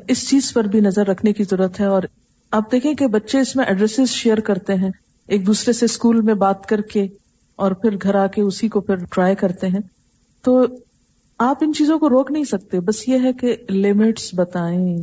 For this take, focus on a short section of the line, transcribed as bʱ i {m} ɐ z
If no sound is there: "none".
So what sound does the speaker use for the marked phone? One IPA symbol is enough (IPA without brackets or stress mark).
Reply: n